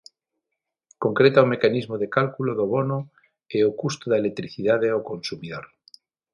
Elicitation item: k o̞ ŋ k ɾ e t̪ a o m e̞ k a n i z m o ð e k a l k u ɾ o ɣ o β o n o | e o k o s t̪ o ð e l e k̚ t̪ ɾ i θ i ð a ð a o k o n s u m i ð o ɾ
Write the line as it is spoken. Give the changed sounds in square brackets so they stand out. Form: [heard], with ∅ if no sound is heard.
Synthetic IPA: k o̞ ŋ k ɾ e t̪ a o m e̞ k a n i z m o ð e k a l k u [l] o [ð] o β o n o | e o k [u] s t̪ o ð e l e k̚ t̪ ɾ i θ i ð a ð [e] o k o n s u m i ð o ɾ